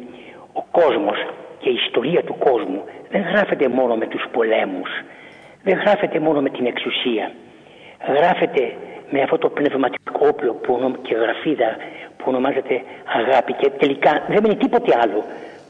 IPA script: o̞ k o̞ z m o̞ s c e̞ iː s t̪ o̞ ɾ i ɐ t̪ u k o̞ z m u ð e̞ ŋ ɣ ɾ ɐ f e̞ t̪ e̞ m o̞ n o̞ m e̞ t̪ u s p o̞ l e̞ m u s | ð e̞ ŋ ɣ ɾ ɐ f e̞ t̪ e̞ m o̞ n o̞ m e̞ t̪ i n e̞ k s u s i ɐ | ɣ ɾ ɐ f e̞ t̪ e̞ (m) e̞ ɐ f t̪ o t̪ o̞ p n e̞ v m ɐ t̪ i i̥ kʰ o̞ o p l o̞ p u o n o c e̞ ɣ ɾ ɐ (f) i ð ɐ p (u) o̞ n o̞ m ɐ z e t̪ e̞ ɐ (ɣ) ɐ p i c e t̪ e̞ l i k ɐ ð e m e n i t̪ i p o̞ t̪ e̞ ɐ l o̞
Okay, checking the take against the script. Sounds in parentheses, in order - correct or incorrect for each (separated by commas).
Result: correct, correct, correct, correct